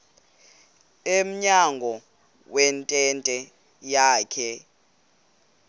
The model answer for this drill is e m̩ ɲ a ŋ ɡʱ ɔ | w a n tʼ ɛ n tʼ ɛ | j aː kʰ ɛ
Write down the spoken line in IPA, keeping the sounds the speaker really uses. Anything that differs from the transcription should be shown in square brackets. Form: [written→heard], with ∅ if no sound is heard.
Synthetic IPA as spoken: e m̩ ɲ a ŋ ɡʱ ɔ | w [a→ɛ] n tʼ ɛ n tʼ ɛ | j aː kʰ ɛ